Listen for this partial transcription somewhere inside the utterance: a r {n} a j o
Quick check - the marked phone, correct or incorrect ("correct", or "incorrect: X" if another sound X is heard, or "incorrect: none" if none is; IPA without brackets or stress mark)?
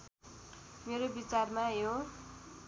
incorrect: m